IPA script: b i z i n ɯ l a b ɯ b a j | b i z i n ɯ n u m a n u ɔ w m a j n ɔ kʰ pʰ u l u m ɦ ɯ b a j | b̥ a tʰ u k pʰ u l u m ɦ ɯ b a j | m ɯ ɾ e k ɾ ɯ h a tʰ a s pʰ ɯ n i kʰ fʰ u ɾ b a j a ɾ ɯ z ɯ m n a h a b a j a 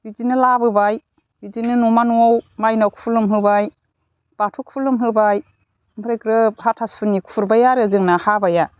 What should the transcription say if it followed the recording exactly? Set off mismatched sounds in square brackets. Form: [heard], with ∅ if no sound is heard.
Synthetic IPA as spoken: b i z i n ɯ l a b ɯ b a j | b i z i n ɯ n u m a n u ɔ w m a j n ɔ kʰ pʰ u l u m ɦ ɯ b a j | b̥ a tʰ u k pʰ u l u m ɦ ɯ b a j | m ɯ ɾ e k ɾ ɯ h a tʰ a s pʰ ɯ n i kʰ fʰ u ɾ b a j a ɾ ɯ z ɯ [ŋ] n a h a b a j a

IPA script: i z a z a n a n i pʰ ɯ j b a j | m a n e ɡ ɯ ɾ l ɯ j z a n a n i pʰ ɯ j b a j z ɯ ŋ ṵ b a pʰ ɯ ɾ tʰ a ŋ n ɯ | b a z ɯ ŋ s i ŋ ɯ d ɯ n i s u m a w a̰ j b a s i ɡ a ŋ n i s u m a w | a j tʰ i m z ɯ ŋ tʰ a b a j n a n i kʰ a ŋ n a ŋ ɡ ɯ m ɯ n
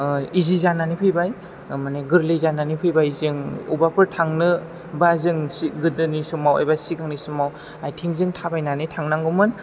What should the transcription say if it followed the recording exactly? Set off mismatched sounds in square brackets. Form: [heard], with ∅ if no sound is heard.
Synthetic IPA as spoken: i z [i] z a n a n i pʰ ɯ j b a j | m a n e ɡ ɯ ɾ l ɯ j z a n a n i pʰ ɯ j b a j z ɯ ŋ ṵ b a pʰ ɯ ɾ tʰ a ŋ n ɯ | b a z ɯ ŋ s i [ɡ] ɯ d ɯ n i s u m a w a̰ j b a s i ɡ a ŋ n i s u m a w | a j tʰ i [ŋ] z ɯ ŋ tʰ a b a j n a n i [tʰ] a ŋ n a ŋ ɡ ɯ m ɯ n

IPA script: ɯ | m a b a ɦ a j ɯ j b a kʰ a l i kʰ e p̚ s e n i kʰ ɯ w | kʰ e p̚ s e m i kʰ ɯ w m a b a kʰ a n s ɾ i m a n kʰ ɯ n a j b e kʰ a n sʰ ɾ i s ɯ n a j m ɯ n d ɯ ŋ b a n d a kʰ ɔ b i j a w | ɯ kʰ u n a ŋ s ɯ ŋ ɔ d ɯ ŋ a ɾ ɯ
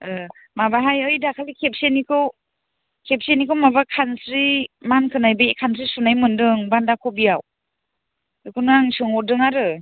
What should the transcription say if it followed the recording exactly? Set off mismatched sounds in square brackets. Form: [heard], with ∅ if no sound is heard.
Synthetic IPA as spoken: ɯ | m a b a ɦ a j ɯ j [d] a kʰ a l i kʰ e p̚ s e n i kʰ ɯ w | kʰ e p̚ s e [n] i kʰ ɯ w m a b a kʰ a n s ɾ i m a n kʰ ɯ n a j b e kʰ a n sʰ ɾ i s [u] n a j m ɯ n d ɯ ŋ b a n d a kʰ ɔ b i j a w | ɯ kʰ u n a ŋ s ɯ ŋ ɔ d ɯ ŋ a ɾ ɯ

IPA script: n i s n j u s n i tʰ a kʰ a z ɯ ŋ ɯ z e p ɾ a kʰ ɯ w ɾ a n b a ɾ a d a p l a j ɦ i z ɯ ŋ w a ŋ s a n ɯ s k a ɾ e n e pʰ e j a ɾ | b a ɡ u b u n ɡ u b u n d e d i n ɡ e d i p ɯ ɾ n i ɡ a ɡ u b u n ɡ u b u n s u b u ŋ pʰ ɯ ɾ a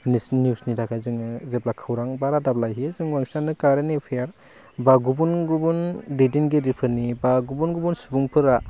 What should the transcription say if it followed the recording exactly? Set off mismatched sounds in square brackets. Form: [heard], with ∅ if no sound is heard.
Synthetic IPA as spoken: n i s n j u s n i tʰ a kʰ a z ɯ ŋ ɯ z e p [l] a kʰ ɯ w ɾ a [ŋ] b a ɾ a d a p l a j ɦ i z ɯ ŋ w a ŋ s a n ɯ [∅] k a ɾ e n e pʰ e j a ɾ | b a ɡ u b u n ɡ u b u n d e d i n ɡ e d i [pʰ] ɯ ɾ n i [b] a ɡ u b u n ɡ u b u n s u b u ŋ pʰ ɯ ɾ a

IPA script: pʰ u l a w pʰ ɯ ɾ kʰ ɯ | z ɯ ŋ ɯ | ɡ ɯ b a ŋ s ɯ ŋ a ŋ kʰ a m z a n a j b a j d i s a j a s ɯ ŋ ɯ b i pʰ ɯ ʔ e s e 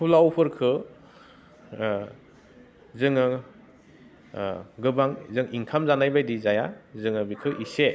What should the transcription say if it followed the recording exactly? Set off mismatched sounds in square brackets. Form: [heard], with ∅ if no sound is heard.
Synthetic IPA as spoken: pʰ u l a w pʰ ɯ ɾ kʰ ɯ | z ɯ ŋ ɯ | ɡ ɯ b a ŋ [z] ɯ ŋ [i] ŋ kʰ a m z a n a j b a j d i [z] a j a [z] ɯ ŋ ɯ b i [kʰ] ɯ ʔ [i] s e

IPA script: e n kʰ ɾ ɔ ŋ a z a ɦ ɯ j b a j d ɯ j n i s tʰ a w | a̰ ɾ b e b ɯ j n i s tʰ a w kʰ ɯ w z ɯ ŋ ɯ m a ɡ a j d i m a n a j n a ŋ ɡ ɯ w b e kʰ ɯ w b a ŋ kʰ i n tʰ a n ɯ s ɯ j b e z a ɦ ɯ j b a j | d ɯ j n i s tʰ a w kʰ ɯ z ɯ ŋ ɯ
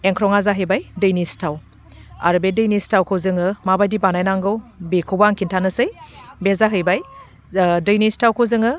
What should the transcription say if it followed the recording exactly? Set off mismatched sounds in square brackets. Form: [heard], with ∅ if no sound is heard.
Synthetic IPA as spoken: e [ŋ] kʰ ɾ ɔ ŋ a z a ɦ ɯ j b a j d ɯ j n i s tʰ a w | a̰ ɾ b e [d] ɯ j n i s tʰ a w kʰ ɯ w z ɯ ŋ ɯ m a [b] a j d i [b] a n a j n a ŋ ɡ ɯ w b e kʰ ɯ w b a ŋ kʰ i n tʰ a n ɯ s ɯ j b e z a ɦ ɯ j b a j | d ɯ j n i s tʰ a w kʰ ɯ z ɯ ŋ ɯ

